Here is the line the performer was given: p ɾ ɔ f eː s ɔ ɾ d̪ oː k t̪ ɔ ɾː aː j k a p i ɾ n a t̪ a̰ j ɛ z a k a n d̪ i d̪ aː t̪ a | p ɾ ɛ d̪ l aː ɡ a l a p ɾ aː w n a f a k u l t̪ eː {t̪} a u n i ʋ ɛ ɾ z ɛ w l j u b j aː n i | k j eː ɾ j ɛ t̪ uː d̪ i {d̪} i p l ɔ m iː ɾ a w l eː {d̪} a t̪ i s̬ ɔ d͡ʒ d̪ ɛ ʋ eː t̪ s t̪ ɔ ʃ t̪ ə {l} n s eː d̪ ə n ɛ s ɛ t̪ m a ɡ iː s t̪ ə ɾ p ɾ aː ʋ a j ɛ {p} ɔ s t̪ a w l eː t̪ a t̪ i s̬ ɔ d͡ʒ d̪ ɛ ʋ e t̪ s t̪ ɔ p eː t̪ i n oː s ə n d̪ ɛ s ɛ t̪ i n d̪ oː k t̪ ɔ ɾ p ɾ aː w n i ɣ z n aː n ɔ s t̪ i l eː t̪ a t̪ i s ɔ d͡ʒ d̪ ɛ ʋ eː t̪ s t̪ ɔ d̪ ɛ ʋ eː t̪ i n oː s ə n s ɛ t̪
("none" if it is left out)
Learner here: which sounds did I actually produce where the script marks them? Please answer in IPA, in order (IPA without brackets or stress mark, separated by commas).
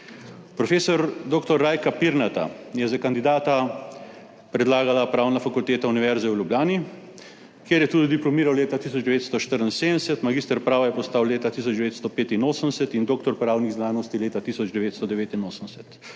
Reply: t̪, d̪, t̪, ɾ, p